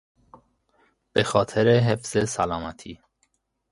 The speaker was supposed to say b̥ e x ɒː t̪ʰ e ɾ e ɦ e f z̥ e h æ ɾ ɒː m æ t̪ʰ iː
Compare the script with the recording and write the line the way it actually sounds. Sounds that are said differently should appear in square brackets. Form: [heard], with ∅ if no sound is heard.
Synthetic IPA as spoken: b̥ e x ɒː t̪ʰ e ɾ e ɦ e f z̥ e [s] æ [l] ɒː m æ t̪ʰ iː